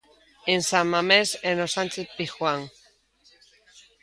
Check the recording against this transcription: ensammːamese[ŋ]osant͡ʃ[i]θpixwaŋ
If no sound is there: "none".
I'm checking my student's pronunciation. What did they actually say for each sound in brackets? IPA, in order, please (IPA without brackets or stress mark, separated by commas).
n, e